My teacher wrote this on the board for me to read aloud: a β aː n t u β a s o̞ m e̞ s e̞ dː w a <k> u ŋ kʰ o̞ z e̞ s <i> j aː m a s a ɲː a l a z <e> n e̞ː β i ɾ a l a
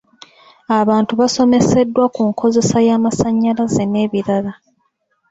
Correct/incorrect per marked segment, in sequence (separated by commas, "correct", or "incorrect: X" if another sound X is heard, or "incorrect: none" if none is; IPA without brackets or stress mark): correct, incorrect: a, correct